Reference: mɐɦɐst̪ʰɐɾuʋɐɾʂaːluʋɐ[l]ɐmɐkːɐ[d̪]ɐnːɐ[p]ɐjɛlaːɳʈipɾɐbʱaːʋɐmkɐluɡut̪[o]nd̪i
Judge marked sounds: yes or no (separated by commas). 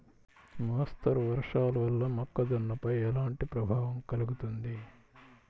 no, yes, yes, no